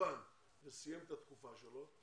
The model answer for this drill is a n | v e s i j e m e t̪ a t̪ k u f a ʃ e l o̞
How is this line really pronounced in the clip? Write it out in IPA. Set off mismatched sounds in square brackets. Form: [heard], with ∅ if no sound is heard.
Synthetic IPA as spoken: a n | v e s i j e m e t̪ a t̪ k u f a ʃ e l o̞